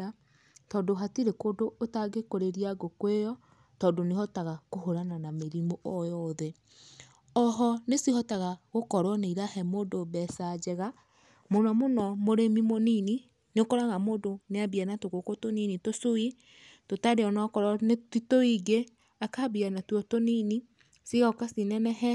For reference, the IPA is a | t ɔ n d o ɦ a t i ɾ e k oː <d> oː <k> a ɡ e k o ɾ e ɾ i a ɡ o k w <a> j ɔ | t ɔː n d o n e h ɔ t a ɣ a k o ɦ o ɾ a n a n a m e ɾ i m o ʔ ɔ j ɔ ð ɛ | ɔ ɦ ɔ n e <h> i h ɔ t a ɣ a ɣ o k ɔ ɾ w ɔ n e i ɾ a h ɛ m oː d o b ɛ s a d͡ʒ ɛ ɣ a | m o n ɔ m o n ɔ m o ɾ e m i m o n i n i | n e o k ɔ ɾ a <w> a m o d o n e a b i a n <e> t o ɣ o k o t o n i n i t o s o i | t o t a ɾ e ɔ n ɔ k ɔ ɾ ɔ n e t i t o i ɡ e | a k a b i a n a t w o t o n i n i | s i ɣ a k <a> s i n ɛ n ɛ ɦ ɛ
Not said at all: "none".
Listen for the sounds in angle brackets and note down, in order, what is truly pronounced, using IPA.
d, t, e, s, ɣ, a, a

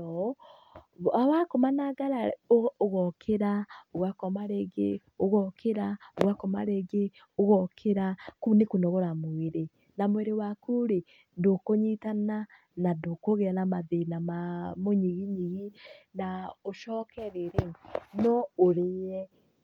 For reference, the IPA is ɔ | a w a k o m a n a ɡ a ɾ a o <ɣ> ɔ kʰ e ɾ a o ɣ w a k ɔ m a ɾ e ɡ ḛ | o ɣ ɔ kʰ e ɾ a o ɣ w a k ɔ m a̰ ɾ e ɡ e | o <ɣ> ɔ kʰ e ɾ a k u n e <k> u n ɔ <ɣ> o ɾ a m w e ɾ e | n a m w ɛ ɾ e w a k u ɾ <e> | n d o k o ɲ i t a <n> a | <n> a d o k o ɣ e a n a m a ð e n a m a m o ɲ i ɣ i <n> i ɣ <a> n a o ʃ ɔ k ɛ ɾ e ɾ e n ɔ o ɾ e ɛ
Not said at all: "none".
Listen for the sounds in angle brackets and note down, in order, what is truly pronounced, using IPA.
ɣ, ɣ, k, ɣ, e, n, n, ɲ, i

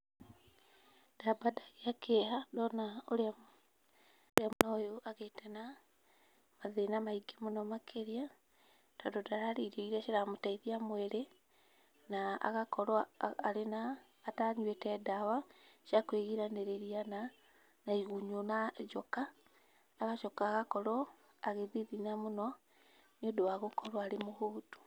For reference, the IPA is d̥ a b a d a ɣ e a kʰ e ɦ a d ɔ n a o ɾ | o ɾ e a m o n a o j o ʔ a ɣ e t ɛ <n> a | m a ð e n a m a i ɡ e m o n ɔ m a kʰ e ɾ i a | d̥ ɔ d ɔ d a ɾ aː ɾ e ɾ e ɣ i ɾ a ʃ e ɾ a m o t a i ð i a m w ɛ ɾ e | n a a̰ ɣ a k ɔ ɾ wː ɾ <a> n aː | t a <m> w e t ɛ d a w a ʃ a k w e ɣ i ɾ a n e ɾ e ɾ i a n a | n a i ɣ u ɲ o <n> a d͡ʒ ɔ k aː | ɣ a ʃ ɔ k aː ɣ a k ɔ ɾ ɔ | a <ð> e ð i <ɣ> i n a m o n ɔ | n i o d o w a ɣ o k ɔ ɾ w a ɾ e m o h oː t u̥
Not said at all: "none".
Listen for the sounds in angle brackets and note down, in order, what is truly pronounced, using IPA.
n, e, ɲ, n, ɣ, ð

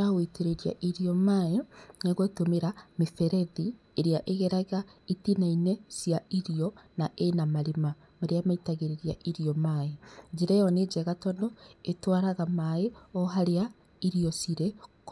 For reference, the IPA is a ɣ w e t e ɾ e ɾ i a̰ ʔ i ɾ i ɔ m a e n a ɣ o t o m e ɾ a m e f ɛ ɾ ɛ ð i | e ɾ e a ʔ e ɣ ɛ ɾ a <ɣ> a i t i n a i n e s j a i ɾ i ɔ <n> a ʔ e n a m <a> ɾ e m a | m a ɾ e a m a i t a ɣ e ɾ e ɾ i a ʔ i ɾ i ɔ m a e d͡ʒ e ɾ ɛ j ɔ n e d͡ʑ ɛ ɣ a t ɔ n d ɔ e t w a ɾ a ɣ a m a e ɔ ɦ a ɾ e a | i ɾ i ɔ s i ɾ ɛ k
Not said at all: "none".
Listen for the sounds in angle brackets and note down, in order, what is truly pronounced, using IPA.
ɣ, n, a

